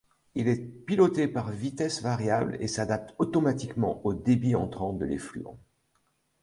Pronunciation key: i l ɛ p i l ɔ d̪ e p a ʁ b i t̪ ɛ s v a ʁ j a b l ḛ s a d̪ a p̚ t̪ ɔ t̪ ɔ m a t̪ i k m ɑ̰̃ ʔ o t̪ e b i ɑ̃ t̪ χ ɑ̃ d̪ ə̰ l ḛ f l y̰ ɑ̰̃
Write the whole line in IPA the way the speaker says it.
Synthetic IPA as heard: i l ɛ p i l ɔ t̪ e p a ʁ v i t̪ ɛ s v a ʁ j a b l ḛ s a d̪ a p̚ t̪ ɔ t̪ ɔ m a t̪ i k m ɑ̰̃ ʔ o d̪ e b i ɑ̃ t̪ χ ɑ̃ d̪ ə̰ l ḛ f l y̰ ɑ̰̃